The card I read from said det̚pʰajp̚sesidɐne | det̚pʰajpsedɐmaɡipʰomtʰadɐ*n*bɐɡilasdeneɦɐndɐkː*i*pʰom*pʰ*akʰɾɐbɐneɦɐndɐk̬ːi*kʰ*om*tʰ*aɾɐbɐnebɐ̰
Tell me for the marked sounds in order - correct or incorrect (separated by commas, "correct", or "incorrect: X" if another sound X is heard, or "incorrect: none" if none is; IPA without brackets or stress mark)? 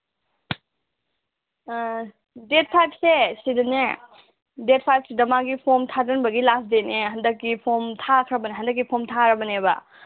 correct, correct, incorrect: tʰ, incorrect: pʰ, correct